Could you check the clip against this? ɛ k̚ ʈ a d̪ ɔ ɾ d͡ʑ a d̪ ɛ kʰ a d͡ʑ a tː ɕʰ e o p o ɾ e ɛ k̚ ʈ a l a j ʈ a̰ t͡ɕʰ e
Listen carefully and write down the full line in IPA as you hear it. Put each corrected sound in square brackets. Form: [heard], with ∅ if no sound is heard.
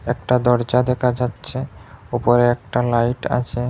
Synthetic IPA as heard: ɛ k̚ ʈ a d̪ ɔ ɾ d͡ʑ a d̪ ɛ kʰ a d͡ʑ a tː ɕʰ e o p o ɾ e ɛ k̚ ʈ a l a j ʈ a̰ t͡ɕʰ e

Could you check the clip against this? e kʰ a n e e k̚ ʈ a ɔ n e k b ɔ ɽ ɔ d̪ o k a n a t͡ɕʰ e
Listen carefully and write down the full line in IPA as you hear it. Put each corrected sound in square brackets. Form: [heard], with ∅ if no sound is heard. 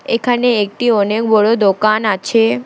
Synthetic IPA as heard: e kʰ a n e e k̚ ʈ [i] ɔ n e k b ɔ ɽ [o] d̪ o k a n a t͡ɕʰ e

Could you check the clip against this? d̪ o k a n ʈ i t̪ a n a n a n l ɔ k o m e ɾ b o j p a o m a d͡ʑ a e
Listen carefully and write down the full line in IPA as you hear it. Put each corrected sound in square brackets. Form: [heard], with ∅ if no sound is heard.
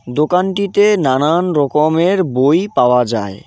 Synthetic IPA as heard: d̪ o k a n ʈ i t̪ [e] n a n a n [ɾ] ɔ k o m e ɾ b o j p a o [∅] a d͡ʑ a e

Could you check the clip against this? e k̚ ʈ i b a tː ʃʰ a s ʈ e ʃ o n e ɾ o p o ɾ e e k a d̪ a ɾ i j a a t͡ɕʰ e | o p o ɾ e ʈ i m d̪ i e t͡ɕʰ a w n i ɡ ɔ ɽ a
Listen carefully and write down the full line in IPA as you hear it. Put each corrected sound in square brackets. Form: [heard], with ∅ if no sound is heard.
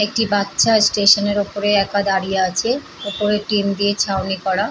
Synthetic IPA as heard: e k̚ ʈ i b a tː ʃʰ a s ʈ e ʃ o n e ɾ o p o ɾ e [ɛ] k a d̪ a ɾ i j a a t͡ɕʰ e | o p o ɾ e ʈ i m d̪ i e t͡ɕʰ a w n i [k] ɔ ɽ a

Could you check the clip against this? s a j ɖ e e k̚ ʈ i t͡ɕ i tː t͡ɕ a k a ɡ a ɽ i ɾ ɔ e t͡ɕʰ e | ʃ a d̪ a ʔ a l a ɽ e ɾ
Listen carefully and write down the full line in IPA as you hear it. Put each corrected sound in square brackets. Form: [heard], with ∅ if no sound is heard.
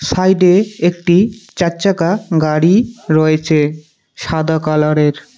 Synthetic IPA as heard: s a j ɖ e e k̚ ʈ i t͡ɕ [a] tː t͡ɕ a k a ɡ a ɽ i ɾ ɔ e t͡ɕʰ e | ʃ a d̪ a [k] a l a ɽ e ɾ

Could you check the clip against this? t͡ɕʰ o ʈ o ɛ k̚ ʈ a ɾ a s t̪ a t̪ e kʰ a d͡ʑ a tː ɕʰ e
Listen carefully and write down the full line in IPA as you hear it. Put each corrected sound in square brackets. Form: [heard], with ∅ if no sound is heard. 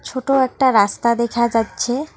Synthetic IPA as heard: t͡ɕʰ o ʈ o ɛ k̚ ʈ a ɾ a s t̪ a [d̪] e kʰ a d͡ʑ a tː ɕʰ e

